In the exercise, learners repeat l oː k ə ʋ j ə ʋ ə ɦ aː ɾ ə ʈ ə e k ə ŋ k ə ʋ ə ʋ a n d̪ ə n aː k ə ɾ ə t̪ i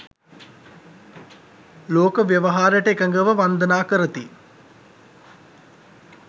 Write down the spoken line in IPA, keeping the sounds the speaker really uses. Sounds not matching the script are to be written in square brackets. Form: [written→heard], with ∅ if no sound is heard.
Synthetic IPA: l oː k ə ʋ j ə ʋ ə ɦ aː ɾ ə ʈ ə e k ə ŋ [k→ɡ] ə ʋ ə ʋ a n d̪ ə n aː k ə ɾ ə t̪ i